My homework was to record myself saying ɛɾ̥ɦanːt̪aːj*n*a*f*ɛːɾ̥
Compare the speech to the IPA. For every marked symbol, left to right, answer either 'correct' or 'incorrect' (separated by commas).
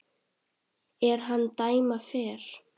incorrect, correct